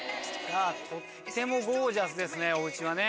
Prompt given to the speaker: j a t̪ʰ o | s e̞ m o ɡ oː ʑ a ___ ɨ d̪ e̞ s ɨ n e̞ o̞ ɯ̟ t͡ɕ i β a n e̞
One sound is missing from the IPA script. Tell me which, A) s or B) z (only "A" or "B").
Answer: A